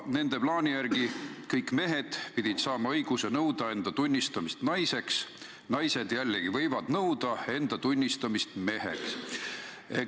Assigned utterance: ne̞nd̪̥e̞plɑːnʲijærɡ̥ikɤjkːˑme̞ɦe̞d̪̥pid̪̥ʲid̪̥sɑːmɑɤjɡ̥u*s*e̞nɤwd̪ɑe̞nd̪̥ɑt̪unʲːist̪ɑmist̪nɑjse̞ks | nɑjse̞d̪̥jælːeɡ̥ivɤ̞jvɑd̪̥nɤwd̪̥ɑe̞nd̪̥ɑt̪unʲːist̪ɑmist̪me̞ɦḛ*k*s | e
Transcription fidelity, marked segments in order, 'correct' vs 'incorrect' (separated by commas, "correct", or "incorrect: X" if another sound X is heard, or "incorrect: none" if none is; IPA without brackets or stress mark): correct, correct